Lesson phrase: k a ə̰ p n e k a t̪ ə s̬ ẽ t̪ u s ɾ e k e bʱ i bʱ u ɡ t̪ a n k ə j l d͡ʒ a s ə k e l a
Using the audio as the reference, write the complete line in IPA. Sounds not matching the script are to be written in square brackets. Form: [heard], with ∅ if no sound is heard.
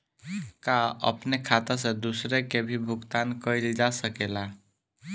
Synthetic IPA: k a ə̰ p n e [kʰ] a t̪ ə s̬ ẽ [d̪] u s ɾ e k e bʱ i bʱ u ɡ t̪ a n k ə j l d͡ʒ a s ə k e l a